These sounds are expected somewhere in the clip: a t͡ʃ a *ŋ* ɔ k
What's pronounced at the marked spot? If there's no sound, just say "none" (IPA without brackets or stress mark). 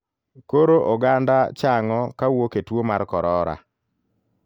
ŋ